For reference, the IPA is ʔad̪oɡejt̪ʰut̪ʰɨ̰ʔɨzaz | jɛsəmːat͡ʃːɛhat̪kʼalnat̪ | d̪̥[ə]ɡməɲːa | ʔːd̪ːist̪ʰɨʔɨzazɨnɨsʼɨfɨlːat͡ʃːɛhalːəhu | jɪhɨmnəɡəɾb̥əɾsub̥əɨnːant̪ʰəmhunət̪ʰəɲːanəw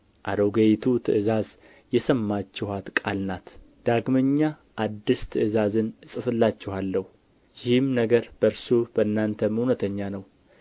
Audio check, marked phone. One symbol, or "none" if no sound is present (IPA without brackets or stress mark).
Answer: a